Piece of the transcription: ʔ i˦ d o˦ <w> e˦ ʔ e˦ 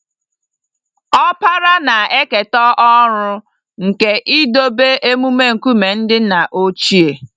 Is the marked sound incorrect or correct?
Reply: incorrect